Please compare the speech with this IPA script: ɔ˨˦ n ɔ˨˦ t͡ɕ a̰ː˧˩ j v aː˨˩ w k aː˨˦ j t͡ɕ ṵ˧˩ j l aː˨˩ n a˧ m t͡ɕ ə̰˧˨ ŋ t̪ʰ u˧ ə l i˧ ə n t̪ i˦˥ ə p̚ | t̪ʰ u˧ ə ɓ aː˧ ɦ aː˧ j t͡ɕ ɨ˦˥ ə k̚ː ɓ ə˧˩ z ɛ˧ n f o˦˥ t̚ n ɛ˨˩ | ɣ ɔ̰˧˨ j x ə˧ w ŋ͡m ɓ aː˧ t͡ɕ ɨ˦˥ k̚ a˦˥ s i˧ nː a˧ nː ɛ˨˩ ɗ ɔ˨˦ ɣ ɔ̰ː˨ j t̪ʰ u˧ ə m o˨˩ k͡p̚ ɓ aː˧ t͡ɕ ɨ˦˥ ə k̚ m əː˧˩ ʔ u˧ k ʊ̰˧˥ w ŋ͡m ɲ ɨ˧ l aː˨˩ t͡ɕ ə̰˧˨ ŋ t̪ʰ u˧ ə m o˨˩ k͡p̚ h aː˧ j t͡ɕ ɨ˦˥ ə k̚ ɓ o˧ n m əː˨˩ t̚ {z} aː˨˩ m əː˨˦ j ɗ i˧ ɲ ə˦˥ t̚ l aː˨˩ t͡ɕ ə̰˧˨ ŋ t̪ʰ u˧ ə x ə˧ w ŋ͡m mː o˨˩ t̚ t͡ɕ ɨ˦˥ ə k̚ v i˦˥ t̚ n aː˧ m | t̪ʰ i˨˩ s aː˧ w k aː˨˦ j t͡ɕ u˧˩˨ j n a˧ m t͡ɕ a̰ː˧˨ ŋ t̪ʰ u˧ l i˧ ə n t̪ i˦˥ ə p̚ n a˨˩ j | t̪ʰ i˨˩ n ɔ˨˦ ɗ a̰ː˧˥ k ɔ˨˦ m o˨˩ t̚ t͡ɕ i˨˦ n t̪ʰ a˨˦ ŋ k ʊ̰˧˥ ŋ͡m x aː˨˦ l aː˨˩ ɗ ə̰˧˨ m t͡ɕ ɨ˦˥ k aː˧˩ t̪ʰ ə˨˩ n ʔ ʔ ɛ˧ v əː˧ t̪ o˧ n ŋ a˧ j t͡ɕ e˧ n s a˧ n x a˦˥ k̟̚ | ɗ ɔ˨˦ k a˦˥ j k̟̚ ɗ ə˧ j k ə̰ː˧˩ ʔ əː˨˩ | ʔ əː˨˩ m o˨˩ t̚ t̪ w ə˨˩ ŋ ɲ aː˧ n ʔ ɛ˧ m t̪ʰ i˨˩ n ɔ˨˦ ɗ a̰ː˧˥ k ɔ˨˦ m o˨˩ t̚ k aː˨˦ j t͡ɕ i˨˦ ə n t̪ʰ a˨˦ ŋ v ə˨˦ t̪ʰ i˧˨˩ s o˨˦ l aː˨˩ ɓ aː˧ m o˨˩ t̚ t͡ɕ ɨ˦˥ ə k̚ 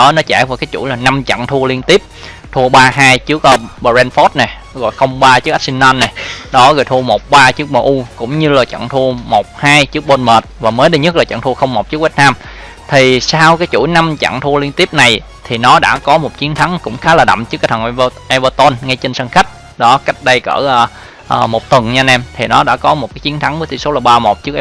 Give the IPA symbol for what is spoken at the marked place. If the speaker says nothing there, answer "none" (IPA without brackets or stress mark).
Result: v